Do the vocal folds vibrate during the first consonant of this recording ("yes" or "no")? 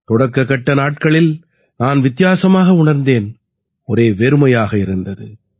no